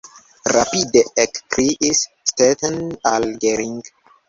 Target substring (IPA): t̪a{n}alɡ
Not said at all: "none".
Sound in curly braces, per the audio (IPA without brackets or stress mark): n